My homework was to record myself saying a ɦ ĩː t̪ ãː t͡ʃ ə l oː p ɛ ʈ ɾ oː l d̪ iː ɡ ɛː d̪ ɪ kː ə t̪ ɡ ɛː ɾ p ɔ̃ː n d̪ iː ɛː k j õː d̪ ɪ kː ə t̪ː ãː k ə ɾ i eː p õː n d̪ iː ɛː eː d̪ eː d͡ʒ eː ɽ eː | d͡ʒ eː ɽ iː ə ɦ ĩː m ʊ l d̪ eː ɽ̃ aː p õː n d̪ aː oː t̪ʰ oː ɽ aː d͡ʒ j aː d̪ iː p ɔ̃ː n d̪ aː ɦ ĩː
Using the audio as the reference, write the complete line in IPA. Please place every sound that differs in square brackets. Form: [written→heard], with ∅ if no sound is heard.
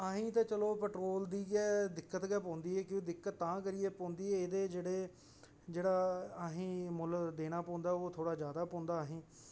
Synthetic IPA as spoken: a ɦ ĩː t̪ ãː t͡ʃ ə l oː p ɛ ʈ ɾ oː l d̪ iː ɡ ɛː d̪ ɪ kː ə t̪ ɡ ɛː [ɾ→∅] p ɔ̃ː n d̪ iː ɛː k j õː d̪ ɪ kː ə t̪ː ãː k ə ɾ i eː p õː n d̪ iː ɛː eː d̪ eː d͡ʒ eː ɽ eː | d͡ʒ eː ɽ [iː→aː] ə ɦ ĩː m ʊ l d̪ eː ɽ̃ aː p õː n d̪ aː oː t̪ʰ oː ɽ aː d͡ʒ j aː d̪ [iː→aː] p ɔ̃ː n d̪ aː ɦ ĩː